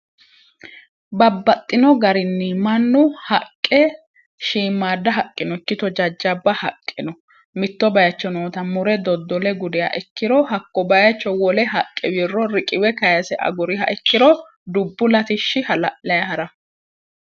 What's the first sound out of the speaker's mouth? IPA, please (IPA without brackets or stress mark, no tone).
b